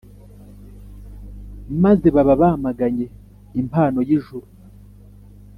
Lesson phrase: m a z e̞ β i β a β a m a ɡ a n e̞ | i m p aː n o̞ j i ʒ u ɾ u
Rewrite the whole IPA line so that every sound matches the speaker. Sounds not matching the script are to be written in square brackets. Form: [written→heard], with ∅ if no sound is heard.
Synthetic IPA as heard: m a z e̞ β [i→a] β a β a m a ɡ a [n→ɲ] e̞ | i m p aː n o̞ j i ʒ u ɾ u

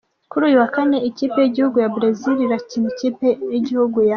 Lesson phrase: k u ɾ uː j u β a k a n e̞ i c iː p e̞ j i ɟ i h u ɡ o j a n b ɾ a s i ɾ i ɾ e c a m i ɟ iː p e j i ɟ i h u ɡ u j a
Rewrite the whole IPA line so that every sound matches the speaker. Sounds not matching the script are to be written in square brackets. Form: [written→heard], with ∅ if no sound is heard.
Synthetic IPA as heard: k u ɾ uː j u [β→w] a k a n e̞ i c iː p e̞ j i ɟ i h u ɡ [o→u] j a [n→∅] b ɾ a [s→z] i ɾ i ɾ [e→a] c [a→i] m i [ɟ→c] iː p e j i ɟ i h u ɡ u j a

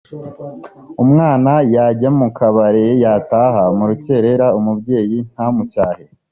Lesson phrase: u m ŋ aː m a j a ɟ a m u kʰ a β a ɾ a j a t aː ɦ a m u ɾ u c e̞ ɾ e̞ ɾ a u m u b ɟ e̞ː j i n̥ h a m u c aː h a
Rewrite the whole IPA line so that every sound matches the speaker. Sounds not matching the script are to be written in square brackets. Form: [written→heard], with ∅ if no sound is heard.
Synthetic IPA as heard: u m ŋ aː [m→n] a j a ɟ a m u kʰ a β a ɾ [a→e] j a t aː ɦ a m u ɾ u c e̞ ɾ e̞ ɾ a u m u b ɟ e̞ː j i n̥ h a m u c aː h [a→e]

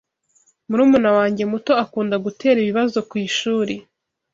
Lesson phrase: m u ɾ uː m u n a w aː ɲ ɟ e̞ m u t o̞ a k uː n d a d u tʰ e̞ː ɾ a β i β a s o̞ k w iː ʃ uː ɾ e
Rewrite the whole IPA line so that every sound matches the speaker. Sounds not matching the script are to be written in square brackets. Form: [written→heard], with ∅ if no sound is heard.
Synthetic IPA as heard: m u ɾ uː m u n a w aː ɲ ɟ e̞ m u t o̞ a k uː n d a [d→ɡ] u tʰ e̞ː ɾ [a→i] β i β a [s→z] o̞ k w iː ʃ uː ɾ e

